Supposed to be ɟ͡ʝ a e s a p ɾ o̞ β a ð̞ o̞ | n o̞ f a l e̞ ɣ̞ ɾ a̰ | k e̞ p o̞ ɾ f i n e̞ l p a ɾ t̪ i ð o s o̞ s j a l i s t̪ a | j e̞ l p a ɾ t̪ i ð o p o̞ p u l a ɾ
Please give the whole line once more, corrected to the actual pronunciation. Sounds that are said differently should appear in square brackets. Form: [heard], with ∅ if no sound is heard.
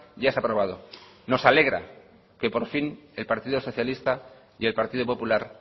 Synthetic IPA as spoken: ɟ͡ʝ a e s a p ɾ o̞ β a ð̞ o̞ | n o̞ [s] a l e̞ ɣ̞ ɾ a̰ | k e̞ p o̞ ɾ f i n e̞ l p a ɾ t̪ i ð o s o̞ [θ] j a l i s t̪ a | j e̞ l p a ɾ t̪ i ð o p o̞ p u l a ɾ